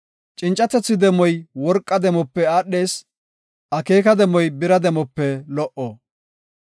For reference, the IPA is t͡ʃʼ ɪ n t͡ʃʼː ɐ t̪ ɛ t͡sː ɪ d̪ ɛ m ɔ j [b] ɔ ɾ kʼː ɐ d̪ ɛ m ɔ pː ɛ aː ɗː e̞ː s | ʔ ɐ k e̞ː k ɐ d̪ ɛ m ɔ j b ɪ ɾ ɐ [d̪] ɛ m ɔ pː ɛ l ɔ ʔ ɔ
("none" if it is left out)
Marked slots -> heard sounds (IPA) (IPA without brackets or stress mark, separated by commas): w, d̪